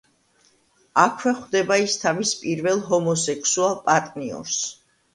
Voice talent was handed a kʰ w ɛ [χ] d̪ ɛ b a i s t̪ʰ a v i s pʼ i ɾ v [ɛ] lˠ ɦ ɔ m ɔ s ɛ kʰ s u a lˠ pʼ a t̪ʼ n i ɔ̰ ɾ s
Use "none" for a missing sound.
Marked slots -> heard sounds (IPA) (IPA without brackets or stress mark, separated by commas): χ, ɛ